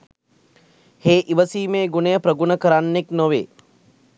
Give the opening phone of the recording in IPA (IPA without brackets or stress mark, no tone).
h